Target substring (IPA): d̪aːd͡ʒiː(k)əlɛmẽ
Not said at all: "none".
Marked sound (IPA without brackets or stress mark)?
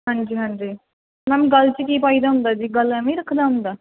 ɡ